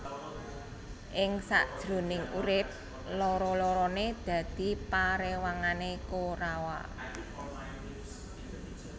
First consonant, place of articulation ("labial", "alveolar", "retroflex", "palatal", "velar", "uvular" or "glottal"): glottal